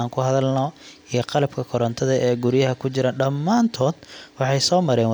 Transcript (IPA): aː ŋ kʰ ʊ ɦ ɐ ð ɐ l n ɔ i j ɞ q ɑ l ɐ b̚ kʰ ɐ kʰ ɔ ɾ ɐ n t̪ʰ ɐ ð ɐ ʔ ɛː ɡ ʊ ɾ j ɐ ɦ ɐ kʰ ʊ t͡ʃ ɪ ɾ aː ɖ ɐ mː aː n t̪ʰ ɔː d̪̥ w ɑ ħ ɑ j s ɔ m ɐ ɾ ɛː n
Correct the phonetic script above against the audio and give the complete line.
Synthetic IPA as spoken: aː ŋ kʰ ʊ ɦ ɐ ð ɐ l n ɔ i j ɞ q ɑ l ɐ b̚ kʰ ɐ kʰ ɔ ɾ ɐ n t̪ʰ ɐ ð ɐ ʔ ɛː ɡ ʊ ɾ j ɐ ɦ ɐ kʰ ʊ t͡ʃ ɪ ɾ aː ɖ ɐ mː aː n t̪ʰ ɔː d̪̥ w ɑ ħ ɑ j s ɔː m ɐ ɾ ɛː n